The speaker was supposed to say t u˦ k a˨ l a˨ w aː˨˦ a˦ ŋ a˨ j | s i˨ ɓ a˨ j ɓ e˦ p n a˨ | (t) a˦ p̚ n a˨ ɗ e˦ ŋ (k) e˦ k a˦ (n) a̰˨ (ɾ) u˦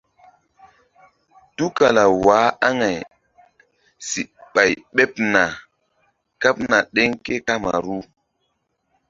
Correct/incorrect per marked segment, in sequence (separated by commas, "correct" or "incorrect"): incorrect, correct, incorrect, correct